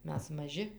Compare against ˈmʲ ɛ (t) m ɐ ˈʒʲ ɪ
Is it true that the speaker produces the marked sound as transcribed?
no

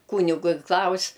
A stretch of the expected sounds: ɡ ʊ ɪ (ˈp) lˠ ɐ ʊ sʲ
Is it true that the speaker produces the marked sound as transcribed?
no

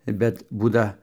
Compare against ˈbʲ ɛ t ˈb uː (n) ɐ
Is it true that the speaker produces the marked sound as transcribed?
no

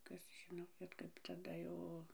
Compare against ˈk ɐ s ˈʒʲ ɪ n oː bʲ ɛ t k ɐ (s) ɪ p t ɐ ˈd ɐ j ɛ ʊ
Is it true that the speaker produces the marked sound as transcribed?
no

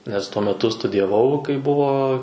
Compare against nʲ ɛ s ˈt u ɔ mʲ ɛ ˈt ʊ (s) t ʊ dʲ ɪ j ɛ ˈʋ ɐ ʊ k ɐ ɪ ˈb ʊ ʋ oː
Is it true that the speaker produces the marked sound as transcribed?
yes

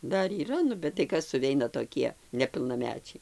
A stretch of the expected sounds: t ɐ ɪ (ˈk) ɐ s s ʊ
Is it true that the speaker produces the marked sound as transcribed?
yes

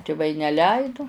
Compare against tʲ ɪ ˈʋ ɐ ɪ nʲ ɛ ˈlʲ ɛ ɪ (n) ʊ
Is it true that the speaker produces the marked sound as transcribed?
no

